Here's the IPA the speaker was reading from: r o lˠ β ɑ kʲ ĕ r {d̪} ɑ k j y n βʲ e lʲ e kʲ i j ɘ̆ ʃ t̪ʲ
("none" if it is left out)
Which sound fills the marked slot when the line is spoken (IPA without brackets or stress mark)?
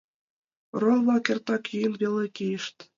t̪